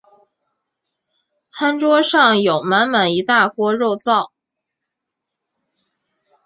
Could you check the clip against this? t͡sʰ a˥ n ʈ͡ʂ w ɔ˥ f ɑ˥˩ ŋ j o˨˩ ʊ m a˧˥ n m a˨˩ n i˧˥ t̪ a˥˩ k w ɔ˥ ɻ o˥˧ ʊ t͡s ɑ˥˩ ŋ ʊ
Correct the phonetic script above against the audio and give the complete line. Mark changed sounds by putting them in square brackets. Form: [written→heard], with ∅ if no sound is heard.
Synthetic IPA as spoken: t͡sʰ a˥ n ʈ͡ʂ w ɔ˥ [f→ʂ] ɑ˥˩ ŋ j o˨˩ ʊ m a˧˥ n m a˨˩ n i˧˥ t̪ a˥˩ k w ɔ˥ ɻ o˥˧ ʊ t͡s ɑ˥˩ [ŋ→∅] ʊ